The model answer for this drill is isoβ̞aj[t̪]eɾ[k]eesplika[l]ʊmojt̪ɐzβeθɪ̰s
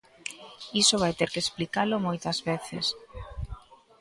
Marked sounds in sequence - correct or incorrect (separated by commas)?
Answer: correct, correct, correct